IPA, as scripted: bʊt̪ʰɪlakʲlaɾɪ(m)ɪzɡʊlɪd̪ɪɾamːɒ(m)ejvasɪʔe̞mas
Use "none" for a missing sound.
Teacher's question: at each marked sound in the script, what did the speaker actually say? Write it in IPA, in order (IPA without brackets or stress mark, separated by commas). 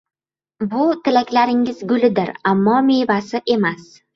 ŋ, m